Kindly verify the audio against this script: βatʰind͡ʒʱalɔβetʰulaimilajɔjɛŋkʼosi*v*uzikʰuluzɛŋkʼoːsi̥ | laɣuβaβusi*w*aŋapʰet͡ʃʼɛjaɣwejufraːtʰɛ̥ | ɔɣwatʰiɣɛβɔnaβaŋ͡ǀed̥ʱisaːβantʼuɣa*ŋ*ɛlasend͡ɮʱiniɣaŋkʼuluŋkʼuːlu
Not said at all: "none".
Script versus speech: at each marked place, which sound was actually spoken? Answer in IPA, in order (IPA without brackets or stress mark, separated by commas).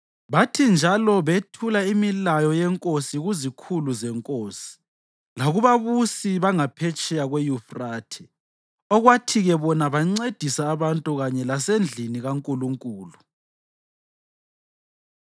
ɣ, β, ɲ